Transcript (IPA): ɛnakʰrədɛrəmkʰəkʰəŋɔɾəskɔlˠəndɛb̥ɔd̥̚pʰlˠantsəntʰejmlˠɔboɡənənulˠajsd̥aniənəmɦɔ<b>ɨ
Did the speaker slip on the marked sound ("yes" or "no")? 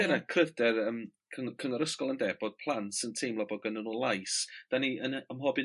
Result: no